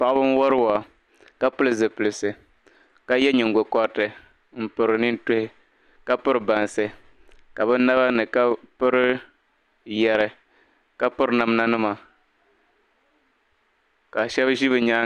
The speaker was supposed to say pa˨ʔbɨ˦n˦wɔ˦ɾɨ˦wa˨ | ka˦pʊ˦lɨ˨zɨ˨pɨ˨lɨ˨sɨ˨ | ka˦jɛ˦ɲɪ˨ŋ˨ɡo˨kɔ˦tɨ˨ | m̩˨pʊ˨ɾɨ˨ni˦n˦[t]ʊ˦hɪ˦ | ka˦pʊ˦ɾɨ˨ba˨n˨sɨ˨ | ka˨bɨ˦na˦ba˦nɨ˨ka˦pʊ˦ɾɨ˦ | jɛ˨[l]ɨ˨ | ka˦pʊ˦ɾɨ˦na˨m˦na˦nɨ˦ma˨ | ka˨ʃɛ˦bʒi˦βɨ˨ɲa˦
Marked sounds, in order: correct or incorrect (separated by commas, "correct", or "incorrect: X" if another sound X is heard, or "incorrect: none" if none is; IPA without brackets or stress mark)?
correct, incorrect: ɾ